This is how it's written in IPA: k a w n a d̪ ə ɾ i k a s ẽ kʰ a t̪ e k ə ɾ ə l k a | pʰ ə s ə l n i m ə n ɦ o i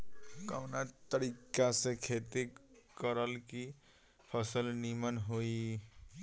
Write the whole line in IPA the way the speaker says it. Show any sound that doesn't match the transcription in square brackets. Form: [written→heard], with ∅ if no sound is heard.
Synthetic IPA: k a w n a [d̪→t̪] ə ɾ i k a s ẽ kʰ [a→e] t̪ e k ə ɾ ə l k [a→i] | pʰ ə s ə l n i m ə n ɦ o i